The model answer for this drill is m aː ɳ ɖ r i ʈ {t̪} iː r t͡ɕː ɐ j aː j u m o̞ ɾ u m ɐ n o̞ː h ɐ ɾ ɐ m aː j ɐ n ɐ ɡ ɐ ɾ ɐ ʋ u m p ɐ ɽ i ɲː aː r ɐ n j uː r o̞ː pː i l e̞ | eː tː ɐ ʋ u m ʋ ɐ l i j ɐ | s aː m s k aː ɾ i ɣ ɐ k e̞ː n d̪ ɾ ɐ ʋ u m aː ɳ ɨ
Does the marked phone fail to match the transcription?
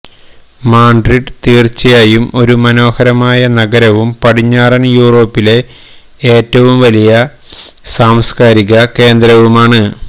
no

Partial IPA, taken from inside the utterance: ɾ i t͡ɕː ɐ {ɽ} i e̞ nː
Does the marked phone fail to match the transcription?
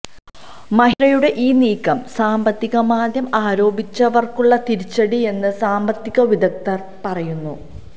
no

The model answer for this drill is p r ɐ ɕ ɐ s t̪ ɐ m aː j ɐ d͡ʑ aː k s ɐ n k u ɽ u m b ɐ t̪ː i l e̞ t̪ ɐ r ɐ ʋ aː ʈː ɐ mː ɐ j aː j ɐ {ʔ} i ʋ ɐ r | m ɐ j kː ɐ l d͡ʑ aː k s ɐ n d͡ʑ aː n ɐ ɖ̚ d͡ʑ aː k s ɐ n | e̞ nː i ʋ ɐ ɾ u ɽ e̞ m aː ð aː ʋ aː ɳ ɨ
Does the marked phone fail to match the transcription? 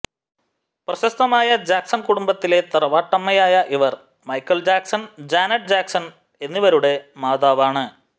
no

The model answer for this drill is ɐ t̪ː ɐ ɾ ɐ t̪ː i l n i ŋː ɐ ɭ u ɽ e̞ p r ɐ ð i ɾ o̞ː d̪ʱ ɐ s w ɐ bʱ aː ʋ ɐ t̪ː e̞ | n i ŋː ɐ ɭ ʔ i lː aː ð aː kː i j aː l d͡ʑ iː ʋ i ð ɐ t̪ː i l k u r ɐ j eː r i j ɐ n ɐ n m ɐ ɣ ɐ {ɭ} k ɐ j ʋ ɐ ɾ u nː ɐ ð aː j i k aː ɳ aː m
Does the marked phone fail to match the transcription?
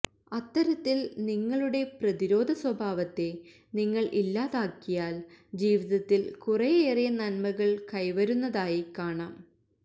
no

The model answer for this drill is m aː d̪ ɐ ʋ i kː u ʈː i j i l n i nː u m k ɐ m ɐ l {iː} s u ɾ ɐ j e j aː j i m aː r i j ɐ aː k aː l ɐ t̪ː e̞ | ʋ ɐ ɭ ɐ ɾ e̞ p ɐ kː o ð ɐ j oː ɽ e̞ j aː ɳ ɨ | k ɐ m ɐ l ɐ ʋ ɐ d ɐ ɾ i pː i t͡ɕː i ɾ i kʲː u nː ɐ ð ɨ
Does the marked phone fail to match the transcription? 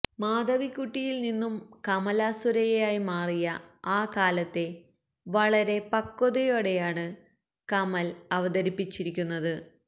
yes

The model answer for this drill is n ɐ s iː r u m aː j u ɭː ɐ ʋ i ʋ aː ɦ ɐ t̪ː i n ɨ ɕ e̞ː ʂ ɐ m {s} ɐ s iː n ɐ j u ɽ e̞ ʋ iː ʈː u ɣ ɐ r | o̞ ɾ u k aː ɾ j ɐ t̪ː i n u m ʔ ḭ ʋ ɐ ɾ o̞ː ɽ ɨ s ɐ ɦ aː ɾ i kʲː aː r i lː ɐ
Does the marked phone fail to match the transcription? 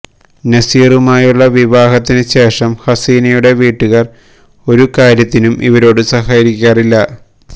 yes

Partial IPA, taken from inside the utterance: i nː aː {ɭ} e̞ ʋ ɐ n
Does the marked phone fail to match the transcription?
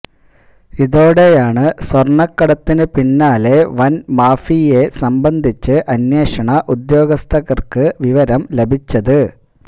yes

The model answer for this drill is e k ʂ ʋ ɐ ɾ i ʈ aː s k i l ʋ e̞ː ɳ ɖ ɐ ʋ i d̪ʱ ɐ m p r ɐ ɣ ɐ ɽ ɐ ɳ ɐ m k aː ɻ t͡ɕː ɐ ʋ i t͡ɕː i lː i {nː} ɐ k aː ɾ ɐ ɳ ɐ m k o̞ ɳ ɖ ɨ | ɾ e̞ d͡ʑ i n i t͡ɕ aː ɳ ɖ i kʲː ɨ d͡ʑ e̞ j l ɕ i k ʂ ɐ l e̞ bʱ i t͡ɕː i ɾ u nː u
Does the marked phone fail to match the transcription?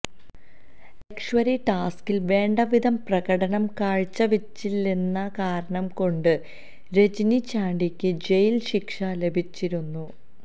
no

